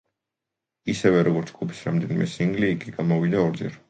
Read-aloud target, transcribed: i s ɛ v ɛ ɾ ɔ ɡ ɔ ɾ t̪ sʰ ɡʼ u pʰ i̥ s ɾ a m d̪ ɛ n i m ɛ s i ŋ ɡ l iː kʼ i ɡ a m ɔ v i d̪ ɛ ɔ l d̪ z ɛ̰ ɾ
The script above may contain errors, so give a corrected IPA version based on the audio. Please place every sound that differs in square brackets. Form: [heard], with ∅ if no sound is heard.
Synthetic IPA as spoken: i s ɛ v ɛ ɾ ɔ ɡ ɔ ɾ t̪ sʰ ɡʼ u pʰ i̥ s ɾ a m d̪ ɛ n i m ɛ s i ŋ ɡ l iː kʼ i ɡ a m ɔ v i d̪ [a] ɔ [ɾ] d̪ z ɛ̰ ɾ